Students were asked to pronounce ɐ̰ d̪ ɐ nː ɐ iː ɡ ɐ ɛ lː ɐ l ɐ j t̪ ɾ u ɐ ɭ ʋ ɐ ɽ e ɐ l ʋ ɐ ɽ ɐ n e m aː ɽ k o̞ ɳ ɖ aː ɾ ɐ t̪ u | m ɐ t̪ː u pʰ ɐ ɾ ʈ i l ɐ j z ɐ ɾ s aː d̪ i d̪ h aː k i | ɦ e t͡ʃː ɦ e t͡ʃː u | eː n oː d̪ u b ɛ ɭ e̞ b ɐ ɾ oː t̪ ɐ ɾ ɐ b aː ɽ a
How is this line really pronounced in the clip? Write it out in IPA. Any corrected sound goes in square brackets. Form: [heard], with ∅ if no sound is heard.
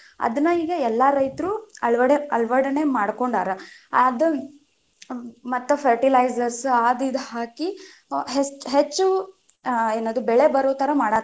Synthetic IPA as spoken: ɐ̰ d̪ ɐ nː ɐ iː ɡ ɐ ɛ lː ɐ [ɾ] ɐ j t̪ ɾ u ɐ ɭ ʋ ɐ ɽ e ɐ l ʋ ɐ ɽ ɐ n e m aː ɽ k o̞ ɳ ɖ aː ɾ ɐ [d̪] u | m ɐ t̪ː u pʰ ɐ ɾ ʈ i l ɐ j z ɐ ɾ s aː d̪ i d̪ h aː k i | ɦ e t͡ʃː ɦ e t͡ʃː u | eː n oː d̪ u b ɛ ɭ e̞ b ɐ ɾ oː t̪ ɐ ɾ ɐ [m] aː ɽ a